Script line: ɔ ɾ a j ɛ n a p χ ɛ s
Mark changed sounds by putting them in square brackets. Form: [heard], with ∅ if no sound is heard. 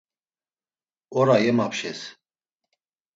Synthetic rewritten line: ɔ ɾ a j ɛ [m] a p [ʃ] ɛ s